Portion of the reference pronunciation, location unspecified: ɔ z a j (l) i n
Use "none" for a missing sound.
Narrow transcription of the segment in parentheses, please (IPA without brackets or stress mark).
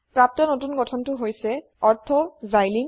l